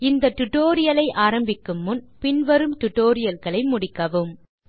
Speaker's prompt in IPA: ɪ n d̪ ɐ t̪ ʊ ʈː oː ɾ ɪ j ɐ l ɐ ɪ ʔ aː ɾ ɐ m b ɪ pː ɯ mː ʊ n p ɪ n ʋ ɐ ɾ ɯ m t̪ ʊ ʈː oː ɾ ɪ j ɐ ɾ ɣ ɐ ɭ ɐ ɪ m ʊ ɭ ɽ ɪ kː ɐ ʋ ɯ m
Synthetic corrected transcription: ɪ n d̪ ɐ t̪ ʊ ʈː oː ɾ ɪ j ɐ l ɐ ɪ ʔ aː ɾ ɐ m b ɪ kː ɯ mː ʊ n p ɪ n ʋ ɐ ɾ ɯ m t̪ ʊ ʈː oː ɾ ɪ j ɐ l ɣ ɐ ɭ ɐ ɪ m ʊ ɽ ɪ kː ɐ ʋ ɯ m